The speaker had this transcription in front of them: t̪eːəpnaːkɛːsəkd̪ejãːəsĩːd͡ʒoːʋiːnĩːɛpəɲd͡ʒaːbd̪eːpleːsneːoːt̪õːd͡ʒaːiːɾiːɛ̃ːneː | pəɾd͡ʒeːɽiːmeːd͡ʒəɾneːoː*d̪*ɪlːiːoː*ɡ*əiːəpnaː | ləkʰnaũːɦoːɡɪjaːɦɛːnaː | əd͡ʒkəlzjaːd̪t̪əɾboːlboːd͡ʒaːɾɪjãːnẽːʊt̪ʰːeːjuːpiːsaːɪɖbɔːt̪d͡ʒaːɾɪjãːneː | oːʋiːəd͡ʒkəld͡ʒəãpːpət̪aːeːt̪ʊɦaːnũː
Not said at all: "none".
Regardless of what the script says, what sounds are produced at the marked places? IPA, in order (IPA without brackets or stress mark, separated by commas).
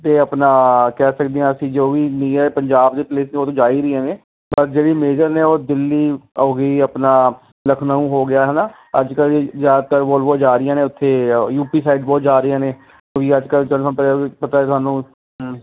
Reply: d̪, ɡ